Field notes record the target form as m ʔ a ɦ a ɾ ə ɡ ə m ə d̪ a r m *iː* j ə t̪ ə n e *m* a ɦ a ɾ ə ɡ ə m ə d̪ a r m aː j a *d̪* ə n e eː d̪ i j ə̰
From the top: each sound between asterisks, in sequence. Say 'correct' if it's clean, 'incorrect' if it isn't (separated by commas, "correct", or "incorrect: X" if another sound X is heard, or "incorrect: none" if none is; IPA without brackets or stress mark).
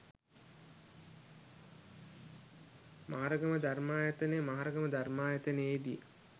incorrect: aː, correct, incorrect: t̪